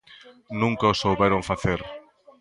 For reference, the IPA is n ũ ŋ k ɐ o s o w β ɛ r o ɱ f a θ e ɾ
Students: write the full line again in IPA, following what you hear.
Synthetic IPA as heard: n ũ ŋ k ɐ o s o w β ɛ ɾ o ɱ f a θ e ɾ

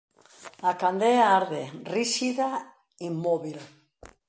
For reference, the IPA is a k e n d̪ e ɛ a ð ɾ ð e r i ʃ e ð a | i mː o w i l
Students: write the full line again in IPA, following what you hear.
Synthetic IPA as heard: a k a n d̪ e a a ɾ ð e r i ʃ i ð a | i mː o β i l

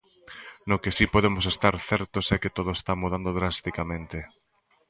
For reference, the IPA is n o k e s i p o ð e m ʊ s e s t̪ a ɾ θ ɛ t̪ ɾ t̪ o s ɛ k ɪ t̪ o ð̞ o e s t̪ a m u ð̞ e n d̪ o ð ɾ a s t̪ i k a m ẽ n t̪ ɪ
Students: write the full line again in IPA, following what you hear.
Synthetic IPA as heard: n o k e s i p o ð e m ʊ s e s t̪ a ɾ θ ɛ ɾ t̪ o s ɛ k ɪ t̪ o ð̞ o e s t̪ a m u ð̞ a n d̪ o ð ɾ a s t̪ i k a m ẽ n t̪ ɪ

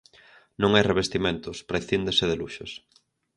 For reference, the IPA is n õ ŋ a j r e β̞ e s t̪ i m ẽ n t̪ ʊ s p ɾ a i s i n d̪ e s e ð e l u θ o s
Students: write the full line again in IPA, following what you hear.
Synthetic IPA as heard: n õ ŋ a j r e β̞ e s t̪ i m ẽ n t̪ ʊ s p ɾ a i θ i n d̪ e s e ð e l u ʃ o s

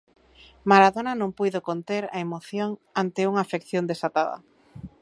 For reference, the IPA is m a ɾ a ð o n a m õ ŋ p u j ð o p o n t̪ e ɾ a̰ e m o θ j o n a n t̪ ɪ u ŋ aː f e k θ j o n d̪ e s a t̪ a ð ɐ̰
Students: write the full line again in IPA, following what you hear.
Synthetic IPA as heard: m a ɾ a ð o n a n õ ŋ p u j ð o k o n t̪ e ɾ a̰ e m o θ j o ŋ a n t̪ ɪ u ŋ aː f e k θ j o n d̪ e s a t̪ a ð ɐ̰

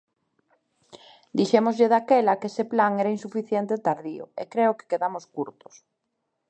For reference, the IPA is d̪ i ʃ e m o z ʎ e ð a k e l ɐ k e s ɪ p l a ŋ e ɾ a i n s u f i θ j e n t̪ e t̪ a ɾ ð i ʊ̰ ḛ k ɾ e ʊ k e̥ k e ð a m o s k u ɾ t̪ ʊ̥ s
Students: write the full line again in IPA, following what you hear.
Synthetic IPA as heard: d̪ i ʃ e m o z ʎ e ð a k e l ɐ k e s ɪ p l a ŋ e ɾ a i n s u f i θ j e n t̪ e t̪ a ɾ ð i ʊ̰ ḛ k ɾ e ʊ k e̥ k e ð a m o s k u ɾ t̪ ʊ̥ s

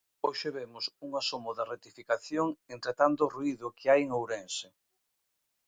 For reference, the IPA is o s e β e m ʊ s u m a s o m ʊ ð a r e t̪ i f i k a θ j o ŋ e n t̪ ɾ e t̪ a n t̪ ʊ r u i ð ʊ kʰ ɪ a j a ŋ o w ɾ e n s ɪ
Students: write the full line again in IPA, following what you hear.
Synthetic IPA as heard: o ʃ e β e m ʊ s u ŋ a s o m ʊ ð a r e t̪ i f i k a θ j o ŋ e n t̪ ɾ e t̪ a n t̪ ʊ r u i ð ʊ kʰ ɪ a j e ŋ o w ɾ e n s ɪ

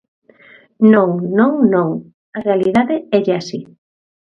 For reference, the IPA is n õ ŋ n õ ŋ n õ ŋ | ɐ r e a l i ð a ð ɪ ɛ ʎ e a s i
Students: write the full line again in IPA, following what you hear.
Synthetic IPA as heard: n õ ŋ n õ ŋ n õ ŋ | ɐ r e a l i ð a ð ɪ ɛ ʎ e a s i

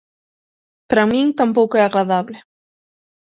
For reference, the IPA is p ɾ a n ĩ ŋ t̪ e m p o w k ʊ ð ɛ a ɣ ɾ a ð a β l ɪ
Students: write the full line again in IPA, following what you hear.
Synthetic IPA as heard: p ɾ a m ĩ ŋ t̪ a m p o w k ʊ ɛ a ɣ ɾ a ð a β l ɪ

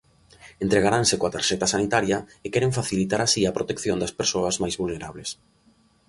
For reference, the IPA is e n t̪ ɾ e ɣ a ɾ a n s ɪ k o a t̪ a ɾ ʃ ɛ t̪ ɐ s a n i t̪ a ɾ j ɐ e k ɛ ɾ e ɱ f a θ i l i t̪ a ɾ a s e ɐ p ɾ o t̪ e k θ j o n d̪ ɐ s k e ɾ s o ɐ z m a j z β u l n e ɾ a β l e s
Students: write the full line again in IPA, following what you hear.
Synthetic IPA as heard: e n t̪ ɾ e ɣ a ɾ a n s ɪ k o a t̪ a ɾ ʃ ɛ t̪ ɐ s a n i t̪ a ɾ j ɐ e k ɛ ɾ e ɱ f a θ i l i t̪ a ɾ a s i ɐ p ɾ o t̪ e k θ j o n d̪ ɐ s p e ɾ s o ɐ z m a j z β u l n e ɾ a β l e s

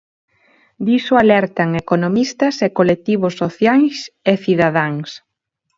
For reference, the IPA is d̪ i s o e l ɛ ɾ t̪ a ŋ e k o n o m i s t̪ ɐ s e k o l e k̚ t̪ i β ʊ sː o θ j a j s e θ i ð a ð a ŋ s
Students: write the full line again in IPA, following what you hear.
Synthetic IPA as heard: d̪ i s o a l ɛ ɾ t̪ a ŋ e k o n o m i s t̪ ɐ s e k o l e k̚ t̪ i β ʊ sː o θ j a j s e θ i ð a ð a ŋ s

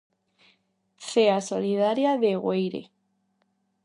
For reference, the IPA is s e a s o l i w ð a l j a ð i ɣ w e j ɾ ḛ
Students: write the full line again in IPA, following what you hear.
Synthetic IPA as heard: θ e a s o l i ð a ɾ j a ð e ɣ w e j ɾ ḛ

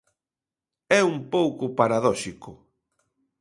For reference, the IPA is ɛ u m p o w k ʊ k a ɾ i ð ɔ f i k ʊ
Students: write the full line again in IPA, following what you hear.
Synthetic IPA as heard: ɛ u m p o w k ʊ p a ɾ a ð ɔ ʃ i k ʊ

